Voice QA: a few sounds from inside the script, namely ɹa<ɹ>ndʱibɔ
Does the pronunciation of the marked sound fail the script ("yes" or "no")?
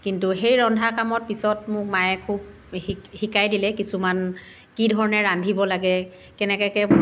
yes